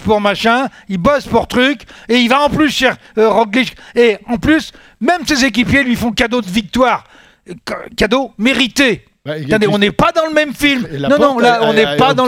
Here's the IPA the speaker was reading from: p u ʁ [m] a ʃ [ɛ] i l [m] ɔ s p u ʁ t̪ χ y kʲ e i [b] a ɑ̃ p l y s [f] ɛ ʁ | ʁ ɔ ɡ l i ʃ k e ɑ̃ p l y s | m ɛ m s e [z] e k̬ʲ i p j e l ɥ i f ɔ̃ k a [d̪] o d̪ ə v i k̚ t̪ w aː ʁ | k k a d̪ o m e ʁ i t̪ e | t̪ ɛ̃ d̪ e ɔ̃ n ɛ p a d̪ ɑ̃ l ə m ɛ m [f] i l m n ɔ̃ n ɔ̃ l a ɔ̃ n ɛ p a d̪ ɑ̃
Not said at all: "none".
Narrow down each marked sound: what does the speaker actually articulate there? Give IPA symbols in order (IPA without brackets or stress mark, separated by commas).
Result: m, ɛ̃, b, v, ʃ, z, d̪, f